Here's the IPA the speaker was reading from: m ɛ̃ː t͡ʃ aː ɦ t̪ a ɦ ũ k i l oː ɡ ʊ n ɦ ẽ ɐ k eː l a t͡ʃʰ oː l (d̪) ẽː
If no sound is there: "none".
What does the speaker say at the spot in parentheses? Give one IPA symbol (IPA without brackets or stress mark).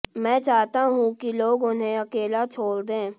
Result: d̪